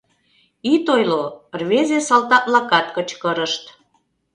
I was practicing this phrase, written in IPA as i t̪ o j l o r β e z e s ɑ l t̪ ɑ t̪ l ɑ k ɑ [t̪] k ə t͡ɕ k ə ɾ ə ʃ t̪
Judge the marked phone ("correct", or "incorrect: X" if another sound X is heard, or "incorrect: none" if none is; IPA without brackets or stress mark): correct